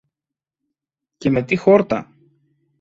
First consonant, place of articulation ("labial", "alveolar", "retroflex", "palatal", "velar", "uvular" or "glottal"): palatal